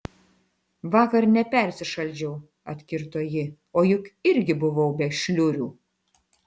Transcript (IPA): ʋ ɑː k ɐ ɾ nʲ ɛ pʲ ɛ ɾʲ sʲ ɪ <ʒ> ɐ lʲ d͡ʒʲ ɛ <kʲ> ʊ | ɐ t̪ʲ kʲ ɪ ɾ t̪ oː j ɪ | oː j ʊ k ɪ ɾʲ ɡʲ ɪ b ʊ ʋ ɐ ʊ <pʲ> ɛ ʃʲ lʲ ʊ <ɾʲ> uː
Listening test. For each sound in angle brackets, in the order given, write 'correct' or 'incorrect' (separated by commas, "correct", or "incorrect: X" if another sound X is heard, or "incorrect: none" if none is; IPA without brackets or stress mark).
incorrect: ʃ, incorrect: none, incorrect: bʲ, correct